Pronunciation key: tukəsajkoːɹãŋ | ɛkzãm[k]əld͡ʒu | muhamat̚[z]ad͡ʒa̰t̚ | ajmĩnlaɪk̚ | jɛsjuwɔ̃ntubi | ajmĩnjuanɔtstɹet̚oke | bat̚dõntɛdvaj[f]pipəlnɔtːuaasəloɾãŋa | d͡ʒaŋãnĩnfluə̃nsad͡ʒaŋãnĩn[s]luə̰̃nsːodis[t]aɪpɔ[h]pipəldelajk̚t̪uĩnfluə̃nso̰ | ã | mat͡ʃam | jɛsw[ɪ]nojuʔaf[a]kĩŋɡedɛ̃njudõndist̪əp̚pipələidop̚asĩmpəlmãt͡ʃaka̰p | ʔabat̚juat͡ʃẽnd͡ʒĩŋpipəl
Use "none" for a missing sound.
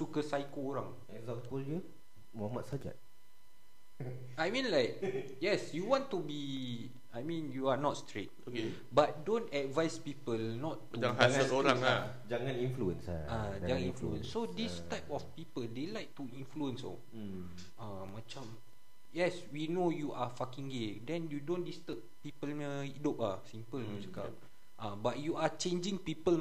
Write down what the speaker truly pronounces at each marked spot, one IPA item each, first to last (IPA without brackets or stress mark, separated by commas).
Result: p, s, s, f, t, f, i, a